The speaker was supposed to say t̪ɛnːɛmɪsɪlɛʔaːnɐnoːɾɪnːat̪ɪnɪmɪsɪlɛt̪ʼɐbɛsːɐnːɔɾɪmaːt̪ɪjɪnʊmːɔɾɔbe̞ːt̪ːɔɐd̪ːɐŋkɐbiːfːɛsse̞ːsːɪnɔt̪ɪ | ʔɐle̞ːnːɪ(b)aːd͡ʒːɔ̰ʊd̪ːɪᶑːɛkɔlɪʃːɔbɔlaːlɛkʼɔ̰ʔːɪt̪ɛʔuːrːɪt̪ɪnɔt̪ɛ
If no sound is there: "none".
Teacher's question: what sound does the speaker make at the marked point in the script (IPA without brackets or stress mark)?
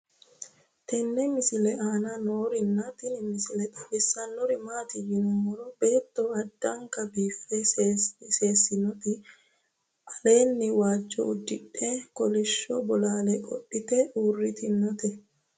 w